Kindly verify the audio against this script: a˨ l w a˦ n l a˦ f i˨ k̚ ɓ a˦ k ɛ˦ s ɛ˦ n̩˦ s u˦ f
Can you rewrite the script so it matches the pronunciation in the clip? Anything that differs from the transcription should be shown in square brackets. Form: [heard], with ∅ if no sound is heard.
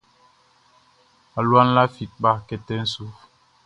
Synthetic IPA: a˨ l w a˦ n l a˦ f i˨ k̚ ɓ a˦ k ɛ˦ [t] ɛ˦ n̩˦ s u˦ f

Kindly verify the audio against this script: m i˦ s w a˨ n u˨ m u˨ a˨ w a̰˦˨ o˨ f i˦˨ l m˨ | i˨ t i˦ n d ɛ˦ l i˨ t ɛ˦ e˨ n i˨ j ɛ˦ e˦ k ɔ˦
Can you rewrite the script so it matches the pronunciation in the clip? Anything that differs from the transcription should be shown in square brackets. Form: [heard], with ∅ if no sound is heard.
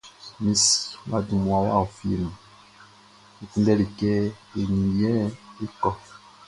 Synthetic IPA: m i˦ s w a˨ [d] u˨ m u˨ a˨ w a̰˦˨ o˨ f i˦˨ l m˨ | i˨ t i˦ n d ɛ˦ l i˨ [k] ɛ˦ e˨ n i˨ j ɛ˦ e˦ k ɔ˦

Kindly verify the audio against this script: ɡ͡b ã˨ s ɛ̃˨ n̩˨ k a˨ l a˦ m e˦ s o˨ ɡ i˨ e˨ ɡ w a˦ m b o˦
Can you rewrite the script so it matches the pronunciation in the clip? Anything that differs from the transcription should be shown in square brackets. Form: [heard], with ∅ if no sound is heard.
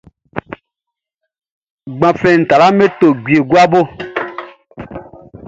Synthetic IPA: ɡ͡b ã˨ [f] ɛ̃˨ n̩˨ [t] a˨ l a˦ m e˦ [t] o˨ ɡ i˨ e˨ ɡ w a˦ [∅] b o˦

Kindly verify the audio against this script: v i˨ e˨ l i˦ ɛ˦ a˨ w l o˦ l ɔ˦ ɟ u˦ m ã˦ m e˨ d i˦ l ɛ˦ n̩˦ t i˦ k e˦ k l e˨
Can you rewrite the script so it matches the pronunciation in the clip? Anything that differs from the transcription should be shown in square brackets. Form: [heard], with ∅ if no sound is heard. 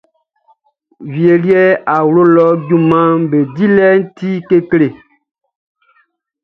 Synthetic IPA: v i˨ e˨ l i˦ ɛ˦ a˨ w l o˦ l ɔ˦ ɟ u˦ m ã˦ [b] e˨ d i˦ l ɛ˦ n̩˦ t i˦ k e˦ k l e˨

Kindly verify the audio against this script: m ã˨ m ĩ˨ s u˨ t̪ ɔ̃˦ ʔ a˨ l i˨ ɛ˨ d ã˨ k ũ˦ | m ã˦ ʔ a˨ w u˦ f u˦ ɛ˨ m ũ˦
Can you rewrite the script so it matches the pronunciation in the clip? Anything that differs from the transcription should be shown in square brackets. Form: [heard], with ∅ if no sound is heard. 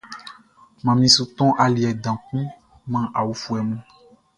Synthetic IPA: m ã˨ m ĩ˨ s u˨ t̪ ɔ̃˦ ʔ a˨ l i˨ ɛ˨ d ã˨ k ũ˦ | m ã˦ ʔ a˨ w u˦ f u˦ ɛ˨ m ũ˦

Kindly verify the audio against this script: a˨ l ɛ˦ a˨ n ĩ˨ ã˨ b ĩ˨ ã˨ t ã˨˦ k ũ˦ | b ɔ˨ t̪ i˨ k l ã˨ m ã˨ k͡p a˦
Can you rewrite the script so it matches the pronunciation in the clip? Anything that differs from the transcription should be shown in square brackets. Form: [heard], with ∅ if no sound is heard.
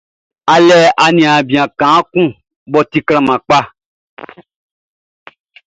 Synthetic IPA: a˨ l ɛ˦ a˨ n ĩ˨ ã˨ b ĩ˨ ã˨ [k] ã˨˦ k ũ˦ | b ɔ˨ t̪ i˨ k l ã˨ m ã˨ k͡p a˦

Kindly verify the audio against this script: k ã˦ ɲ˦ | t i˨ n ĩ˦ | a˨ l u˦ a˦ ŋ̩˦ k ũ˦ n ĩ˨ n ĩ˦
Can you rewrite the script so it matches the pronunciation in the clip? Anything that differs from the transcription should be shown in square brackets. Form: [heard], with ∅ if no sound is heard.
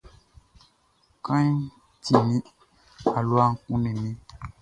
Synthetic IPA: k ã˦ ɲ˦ | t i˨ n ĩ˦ | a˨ l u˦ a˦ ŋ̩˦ k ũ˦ n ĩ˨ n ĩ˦

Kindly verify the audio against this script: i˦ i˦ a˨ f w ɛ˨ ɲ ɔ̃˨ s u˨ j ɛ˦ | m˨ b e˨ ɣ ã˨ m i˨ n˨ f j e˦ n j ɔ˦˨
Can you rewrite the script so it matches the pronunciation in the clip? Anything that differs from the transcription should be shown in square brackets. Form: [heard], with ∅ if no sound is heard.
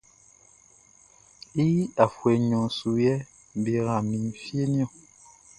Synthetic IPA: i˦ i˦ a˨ f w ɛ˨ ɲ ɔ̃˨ s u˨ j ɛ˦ | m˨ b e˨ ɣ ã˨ m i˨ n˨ f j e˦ n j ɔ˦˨

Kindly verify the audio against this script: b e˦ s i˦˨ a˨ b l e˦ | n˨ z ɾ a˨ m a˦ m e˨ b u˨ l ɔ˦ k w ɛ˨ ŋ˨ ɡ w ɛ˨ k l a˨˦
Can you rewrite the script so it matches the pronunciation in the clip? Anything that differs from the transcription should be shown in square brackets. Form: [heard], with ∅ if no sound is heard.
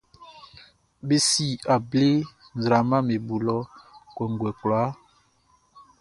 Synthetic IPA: b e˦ s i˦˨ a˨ b l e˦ | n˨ z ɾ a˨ m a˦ m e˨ b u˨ l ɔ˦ k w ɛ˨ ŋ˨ ɡ w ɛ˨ k l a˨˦

